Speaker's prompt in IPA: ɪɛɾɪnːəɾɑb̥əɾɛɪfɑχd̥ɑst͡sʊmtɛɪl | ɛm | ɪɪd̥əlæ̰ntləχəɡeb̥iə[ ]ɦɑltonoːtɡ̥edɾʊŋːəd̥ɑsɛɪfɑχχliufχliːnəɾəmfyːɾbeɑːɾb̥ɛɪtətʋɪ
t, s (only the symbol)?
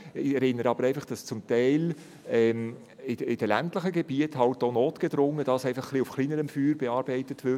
t